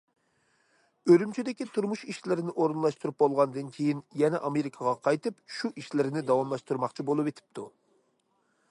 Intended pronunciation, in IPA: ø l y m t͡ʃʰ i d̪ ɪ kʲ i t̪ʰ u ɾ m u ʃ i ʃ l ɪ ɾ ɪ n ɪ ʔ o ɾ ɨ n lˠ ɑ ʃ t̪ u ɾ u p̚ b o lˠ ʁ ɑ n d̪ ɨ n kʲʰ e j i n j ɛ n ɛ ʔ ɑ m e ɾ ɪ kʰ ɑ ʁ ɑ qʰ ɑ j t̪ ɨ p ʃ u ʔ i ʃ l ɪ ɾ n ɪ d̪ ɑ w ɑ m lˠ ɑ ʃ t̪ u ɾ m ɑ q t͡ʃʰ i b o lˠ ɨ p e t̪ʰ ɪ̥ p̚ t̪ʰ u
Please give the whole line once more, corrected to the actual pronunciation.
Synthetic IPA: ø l y m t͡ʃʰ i d̪ ɪ kʲ i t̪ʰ u ɾ m u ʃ i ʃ l ɪ ɾ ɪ n ɪ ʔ o ɾ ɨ n lˠ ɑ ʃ t̪ u ɾ u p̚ b o lˠ ʁ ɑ n d̪ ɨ n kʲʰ e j i n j ɛ n ɛ ʔ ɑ m e ɾ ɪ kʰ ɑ ʁ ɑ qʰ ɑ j t̪ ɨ p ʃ u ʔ i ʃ l ɪ ɾ n ɪ d̪ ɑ w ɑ m lˠ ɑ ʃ t̪ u ɾ m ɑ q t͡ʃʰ i b o lˠ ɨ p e t̪ʰ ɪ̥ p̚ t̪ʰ u